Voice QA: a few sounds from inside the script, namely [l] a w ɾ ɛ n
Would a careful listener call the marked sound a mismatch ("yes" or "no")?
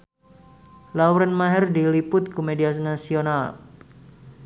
no